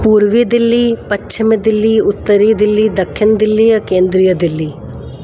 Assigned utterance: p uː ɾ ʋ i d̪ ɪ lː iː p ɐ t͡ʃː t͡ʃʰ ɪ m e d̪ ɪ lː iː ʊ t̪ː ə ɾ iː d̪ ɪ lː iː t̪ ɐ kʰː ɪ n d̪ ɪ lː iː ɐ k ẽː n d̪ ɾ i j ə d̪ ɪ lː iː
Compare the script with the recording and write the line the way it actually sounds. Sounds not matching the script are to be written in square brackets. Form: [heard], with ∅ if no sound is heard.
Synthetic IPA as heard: p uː ɾ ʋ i d̪ ɪ lː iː p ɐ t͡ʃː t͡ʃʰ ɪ m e d̪ ɪ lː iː ʊ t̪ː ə ɾ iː d̪ ɪ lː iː [d̪] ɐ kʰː ɪ n d̪ ɪ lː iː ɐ k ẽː n d̪ ɾ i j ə d̪ ɪ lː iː